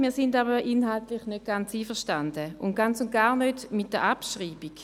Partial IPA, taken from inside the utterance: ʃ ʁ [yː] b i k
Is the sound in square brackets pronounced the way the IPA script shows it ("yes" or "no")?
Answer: no